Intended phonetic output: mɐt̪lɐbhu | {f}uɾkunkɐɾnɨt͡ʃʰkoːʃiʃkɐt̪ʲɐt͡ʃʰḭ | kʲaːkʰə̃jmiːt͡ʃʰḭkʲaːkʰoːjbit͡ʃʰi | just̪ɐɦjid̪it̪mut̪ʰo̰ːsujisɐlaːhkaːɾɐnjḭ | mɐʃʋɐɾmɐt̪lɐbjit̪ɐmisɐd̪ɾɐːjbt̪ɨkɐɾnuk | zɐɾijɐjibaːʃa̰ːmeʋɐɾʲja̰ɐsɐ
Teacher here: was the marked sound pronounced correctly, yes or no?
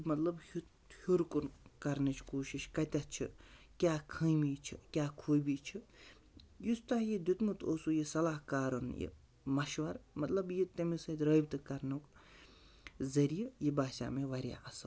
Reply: no